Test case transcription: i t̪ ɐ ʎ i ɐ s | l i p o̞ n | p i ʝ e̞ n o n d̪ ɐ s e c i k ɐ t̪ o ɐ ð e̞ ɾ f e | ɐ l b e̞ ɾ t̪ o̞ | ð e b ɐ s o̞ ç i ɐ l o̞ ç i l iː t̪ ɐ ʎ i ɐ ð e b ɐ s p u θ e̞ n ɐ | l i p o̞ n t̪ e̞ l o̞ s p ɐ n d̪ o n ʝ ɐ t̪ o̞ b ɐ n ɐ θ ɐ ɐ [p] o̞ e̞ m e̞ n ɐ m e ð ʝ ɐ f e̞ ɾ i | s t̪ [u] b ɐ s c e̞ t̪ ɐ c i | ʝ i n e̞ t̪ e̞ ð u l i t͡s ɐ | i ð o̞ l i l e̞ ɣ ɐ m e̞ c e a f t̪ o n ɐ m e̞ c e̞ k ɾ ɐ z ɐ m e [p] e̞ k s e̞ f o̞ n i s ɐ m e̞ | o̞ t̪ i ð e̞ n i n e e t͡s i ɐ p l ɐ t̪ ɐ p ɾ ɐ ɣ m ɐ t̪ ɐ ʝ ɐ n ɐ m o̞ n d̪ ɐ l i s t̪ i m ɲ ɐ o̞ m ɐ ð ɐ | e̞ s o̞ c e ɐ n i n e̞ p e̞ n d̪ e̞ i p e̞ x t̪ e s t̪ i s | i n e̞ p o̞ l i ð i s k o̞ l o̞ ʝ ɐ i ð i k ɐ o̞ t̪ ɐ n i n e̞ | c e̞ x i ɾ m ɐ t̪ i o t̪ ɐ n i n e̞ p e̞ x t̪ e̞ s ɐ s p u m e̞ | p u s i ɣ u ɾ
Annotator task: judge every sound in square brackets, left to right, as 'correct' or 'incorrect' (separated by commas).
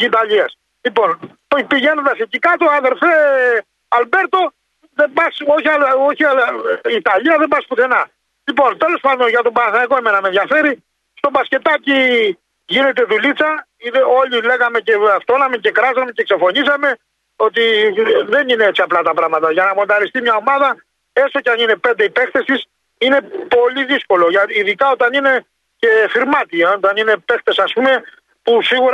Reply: incorrect, incorrect, incorrect